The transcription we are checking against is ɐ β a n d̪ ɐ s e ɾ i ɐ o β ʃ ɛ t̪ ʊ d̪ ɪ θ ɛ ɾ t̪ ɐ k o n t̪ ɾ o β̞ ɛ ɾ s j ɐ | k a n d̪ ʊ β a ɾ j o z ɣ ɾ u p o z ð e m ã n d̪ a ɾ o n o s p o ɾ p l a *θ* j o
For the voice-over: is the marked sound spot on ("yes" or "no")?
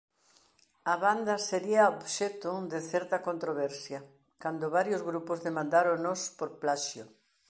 no